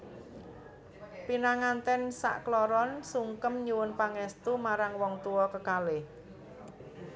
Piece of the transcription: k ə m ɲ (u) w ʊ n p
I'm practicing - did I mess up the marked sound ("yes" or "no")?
no